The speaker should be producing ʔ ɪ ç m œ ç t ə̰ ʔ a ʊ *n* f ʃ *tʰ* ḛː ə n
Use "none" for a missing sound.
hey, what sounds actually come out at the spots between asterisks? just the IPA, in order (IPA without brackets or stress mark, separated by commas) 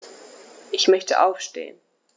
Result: none, t